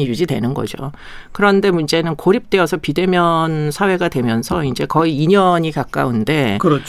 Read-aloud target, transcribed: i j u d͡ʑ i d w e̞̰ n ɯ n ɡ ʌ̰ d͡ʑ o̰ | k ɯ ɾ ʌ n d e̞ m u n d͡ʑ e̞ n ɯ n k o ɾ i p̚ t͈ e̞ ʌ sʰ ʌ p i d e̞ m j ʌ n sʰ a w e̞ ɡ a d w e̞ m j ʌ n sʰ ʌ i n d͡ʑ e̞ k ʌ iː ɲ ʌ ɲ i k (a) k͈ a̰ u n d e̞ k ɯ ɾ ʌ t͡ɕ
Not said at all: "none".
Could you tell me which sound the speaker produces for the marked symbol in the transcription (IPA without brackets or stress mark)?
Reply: a